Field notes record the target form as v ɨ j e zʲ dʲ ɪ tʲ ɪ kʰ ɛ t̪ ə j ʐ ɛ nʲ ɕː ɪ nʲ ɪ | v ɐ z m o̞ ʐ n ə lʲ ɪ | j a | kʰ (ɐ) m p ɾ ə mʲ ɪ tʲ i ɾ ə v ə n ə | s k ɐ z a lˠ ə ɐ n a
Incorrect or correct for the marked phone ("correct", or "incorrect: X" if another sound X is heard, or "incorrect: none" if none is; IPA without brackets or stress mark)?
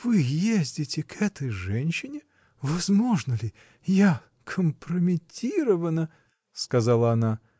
incorrect: ə